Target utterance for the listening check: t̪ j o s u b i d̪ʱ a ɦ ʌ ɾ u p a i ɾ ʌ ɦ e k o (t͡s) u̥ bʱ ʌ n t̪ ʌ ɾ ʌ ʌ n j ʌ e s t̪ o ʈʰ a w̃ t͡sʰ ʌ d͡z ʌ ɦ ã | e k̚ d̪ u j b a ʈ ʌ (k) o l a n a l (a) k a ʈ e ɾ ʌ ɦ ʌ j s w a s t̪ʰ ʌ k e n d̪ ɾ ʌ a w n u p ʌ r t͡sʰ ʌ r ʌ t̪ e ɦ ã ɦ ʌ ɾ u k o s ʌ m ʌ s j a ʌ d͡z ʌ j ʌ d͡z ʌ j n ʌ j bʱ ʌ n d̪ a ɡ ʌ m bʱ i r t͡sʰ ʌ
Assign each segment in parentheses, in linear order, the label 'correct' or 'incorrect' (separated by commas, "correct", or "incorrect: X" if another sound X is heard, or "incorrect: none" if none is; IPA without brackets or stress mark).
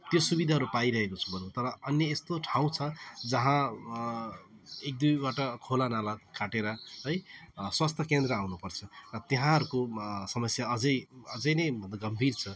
incorrect: t͡sʰ, incorrect: kʰ, correct